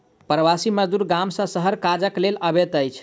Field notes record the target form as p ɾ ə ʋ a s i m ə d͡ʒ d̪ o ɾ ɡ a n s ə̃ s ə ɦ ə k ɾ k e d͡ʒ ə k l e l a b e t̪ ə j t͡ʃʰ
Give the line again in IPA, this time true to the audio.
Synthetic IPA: p ɾ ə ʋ a s i m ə d͡ʒ d̪ u ɾ ɡ a m s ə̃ s ə ɦ ə ɾ k a d͡ʒ ə k l e l ə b e t̪ ə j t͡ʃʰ